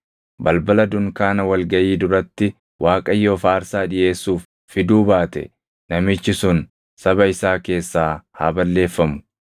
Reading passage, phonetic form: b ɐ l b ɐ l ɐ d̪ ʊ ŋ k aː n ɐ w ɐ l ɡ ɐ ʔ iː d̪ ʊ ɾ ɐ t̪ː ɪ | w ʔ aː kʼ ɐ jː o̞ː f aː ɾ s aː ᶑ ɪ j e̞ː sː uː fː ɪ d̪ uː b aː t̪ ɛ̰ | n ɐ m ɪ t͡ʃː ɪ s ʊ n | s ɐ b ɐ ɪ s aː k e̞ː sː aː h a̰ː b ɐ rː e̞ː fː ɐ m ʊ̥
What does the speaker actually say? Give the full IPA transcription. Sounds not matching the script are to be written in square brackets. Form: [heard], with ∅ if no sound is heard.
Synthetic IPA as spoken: b ɐ l b ɐ l ɐ d̪ ʊ ŋ k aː n ɐ w ɐ l ɡ ɐ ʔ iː d̪ ʊ ɾ ɐ t̪ː ɪ | w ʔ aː kʼ ɐ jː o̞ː f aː ɾ s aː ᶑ ɪ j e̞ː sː uː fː ɪ d̪ uː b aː t̪ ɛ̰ | n ɐ m ɪ t͡ʃː ɪ s ʊ n | s ɐ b ɐ ɪ s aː k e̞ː sː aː h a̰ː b ɐ [lː] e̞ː fː ɐ m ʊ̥